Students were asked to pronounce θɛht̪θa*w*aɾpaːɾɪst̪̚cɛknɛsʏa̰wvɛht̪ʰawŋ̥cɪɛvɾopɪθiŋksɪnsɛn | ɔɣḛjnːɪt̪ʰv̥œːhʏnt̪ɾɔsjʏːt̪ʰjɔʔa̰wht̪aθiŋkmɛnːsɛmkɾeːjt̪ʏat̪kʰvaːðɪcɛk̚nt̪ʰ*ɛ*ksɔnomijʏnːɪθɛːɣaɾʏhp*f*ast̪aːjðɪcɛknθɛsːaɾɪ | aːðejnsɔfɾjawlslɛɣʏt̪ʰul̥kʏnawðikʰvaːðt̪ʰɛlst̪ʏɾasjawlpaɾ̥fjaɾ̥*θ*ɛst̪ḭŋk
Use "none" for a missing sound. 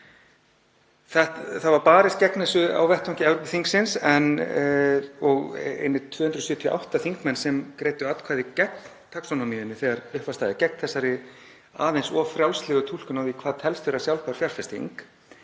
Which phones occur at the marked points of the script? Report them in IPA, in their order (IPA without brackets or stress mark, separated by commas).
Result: v, a, v, f